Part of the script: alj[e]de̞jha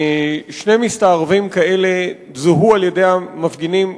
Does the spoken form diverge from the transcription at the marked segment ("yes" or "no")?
no